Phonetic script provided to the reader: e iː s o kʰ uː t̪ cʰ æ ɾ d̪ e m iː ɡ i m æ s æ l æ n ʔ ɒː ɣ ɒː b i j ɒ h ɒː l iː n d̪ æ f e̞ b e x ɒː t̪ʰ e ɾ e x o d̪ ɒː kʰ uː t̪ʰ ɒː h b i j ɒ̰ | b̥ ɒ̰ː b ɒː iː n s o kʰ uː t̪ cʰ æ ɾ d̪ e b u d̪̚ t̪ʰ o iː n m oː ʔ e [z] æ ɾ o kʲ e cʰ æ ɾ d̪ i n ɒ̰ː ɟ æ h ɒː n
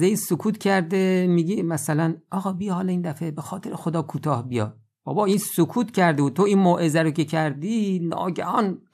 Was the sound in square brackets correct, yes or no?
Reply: yes